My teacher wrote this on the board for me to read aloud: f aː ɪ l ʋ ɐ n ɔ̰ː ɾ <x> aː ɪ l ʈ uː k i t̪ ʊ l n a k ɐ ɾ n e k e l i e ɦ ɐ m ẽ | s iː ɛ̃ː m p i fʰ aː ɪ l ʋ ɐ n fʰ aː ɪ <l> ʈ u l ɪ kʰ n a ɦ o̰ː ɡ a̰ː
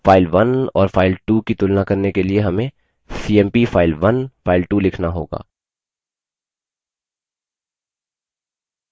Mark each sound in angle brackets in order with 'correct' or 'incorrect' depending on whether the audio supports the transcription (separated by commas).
incorrect, correct